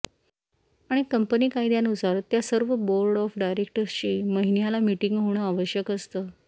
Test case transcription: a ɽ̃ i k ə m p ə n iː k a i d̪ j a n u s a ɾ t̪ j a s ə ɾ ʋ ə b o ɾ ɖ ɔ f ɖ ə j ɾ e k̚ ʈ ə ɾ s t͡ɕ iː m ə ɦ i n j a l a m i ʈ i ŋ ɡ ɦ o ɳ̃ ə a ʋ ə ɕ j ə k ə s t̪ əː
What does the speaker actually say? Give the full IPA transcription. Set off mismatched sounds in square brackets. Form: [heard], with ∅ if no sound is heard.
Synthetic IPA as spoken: a ɽ̃ i k ə m p ə n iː k a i d̪ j a n u s a ɾ t̪ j a s ə ɾ ʋ ə b o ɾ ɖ ɔ f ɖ [a] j ɾ e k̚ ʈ ə ɾ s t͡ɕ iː m ə ɦ i n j a l a m i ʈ i ŋ ɡ ɦ o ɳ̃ ə a ʋ ə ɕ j ə k ə s t̪ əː